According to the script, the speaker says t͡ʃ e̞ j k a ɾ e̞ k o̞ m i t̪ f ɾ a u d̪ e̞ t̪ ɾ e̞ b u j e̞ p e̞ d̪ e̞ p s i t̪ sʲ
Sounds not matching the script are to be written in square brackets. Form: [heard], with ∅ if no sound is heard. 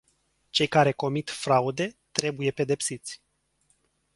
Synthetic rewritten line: t͡ʃ e̞ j k a ɾ e̞ k o̞ m i t̪ f ɾ a u d̪ e̞ t̪ ɾ e̞ b u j e̞ p e̞ d̪ e̞ p s i t̪ sʲ

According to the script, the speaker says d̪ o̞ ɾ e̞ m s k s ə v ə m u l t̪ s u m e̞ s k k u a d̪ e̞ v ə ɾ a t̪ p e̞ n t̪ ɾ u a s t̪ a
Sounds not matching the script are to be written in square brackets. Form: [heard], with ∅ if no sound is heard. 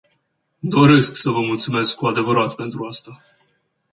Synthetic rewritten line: d̪ o̞ ɾ e̞ [∅] s k s ə v ə m u l t̪ s u m e̞ s k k u a d̪ e̞ v ə ɾ a t̪ p e̞ n t̪ ɾ u a s t̪ a

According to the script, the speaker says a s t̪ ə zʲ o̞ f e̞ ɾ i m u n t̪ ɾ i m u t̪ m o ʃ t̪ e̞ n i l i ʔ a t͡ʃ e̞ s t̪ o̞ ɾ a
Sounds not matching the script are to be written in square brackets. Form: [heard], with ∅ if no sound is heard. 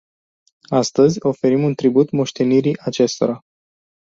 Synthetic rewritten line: a s t̪ ə zʲ o̞ f e̞ ɾ i m u n t̪ ɾ i [b] u t̪ m o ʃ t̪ e̞ n i [ɾ] i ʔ a t͡ʃ e̞ s t̪ o̞ ɾ a

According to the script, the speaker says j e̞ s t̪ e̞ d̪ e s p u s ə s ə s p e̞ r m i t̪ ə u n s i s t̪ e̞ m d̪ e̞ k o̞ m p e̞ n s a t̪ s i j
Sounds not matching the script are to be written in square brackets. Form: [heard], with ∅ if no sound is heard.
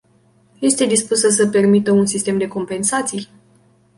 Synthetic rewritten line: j e̞ s t̪ e̞ d̪ [i] s p u s ə s ə [∅] p e̞ r m i t̪ ə u n s i s t̪ e̞ m d̪ e̞ k o̞ m p e̞ n s a t̪ s i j

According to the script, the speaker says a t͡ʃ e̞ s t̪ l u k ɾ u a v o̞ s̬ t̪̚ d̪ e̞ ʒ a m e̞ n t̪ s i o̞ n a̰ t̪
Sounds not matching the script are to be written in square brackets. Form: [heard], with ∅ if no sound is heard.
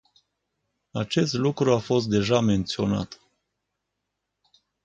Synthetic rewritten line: a t͡ʃ e̞ s t̪ l u k ɾ u a [f] o̞ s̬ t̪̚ d̪ e̞ ʒ a m e̞ n t̪ s i o̞ n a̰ t̪

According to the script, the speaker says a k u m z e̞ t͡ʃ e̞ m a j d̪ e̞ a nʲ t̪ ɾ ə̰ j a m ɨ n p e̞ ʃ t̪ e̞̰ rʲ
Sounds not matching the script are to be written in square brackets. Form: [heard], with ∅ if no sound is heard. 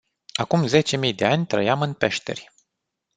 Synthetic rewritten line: a k u m z e̞ t͡ʃ e̞ m [i] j d̪ e̞ a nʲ t̪ ɾ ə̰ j a m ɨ n p e̞ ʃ t̪ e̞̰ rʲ

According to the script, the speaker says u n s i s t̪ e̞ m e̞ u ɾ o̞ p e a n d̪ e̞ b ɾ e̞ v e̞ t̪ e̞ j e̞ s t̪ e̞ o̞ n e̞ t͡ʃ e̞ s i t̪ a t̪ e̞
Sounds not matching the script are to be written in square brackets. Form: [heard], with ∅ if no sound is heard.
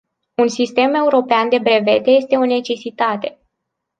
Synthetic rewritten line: u n s i s t̪ e̞ m e̞ u ɾ o̞ p e a n d̪ e̞ b ɾ e̞ v e̞ t̪ e̞ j e̞ s t̪ e̞ o̞ n e̞ t͡ʃ e̞ s i t̪ a t̪ e̞

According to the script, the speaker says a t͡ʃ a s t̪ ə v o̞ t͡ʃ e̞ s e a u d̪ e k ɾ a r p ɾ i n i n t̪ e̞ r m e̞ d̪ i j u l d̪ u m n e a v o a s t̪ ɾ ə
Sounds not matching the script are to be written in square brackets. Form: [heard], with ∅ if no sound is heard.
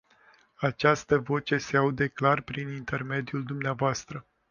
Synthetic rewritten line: a t͡ʃ a s t̪ ə v o̞ t͡ʃ e̞ s e a u d̪ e k [l] a r p ɾ i n i n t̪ e̞ r m e̞ d̪ i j u l d̪ u m n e a v o a s t̪ ɾ ə

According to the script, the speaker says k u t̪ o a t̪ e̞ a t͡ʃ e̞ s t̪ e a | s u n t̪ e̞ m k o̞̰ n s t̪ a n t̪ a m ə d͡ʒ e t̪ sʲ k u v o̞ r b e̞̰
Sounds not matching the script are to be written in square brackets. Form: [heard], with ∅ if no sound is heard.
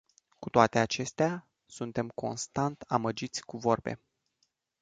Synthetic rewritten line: k u t̪ o a t̪ e̞ a t͡ʃ e̞ s t̪ e a | s u n t̪ e̞ m k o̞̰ n s t̪ a n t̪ a m ə d͡ʒ [i] t̪ sʲ k u v o̞ r b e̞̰

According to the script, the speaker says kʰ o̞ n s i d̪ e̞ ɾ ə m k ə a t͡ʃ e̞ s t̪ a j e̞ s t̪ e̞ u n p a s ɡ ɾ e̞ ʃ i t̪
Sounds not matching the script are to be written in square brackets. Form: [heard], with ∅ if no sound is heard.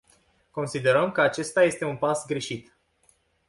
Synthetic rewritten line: [k] o̞ n s i d̪ e̞ ɾ ə m k ə a t͡ʃ e̞ s t̪ a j e̞ s t̪ e̞ u n p a s ɡ ɾ e̞ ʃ i t̪

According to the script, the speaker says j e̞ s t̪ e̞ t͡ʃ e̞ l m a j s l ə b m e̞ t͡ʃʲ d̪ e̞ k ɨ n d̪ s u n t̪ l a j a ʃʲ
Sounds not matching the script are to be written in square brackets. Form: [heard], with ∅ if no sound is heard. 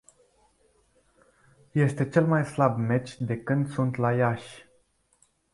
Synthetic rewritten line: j e̞ s t̪ e̞ t͡ʃ e̞ l m a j s l [a] b m e̞ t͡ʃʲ d̪ e̞ k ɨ n d̪ s u n t̪ l a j a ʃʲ

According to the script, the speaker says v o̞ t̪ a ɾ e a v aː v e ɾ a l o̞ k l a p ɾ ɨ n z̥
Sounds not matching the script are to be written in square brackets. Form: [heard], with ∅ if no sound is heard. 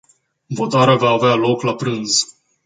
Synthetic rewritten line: v o̞ t̪ a ɾ e a v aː v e [∅] a l o̞ k l a p ɾ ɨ n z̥

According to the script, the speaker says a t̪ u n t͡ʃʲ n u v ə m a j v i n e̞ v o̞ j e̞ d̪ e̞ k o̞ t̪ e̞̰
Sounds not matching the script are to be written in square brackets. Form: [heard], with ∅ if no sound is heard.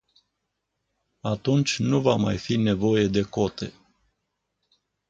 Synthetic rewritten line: a t̪ u n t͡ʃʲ n u v [a] m a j [f] i n e̞ v o̞ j e̞ d̪ e̞ k o̞ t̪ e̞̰

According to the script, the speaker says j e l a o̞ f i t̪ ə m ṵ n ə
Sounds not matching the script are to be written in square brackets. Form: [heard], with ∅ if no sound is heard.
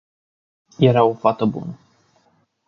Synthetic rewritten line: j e [ɾ] a o̞ f [a] t̪ ə [b] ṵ n ə

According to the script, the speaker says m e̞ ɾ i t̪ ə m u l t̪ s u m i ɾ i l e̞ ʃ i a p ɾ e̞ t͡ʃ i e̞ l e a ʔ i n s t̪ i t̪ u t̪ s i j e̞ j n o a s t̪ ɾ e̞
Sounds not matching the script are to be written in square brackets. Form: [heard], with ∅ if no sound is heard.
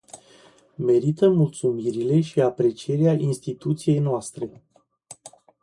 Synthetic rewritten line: m e̞ ɾ i t̪ ə m u l t̪ s u m i ɾ i l e̞ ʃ i a p ɾ e̞ t͡ʃ i e̞ [ɾ] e a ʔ i n s t̪ i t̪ u t̪ s i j e̞ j n o a s t̪ ɾ e̞

